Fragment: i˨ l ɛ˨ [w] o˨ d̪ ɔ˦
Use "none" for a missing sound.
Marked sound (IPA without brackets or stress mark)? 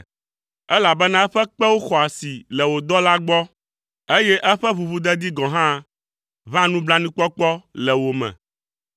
w